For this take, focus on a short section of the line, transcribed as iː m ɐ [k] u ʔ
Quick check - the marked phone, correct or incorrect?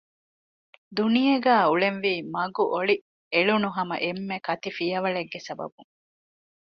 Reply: incorrect